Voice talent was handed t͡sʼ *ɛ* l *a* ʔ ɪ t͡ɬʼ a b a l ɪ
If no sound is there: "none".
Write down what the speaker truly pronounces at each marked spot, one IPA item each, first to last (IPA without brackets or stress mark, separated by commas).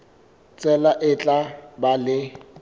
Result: ɛ, a